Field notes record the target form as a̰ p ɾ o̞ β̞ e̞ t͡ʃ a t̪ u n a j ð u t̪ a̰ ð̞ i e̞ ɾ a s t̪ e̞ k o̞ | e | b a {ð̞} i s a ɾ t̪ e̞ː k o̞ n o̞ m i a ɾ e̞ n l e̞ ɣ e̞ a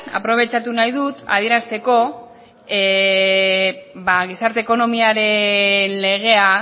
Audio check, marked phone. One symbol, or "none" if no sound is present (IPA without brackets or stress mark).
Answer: ɣ̞